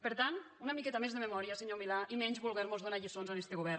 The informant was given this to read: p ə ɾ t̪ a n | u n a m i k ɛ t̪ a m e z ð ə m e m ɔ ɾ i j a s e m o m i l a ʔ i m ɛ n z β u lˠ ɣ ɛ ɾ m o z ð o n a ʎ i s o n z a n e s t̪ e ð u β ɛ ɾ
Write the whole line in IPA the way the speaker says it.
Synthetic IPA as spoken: p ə ɾ t̪ a n | u n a m i k ɛ t̪ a m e z ð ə m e m ɔ ɾ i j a s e ɲ o m i l a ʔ i m ɛ ɲ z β u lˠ ɣ ɛ ɾ m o z ð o n a ʎ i s o n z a n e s t̪ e ɣ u β ɛ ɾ